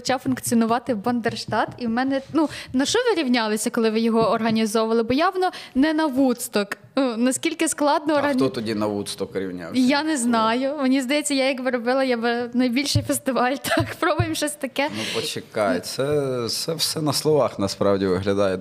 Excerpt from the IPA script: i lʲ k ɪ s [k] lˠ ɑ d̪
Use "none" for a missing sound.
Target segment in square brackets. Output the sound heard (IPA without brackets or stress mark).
k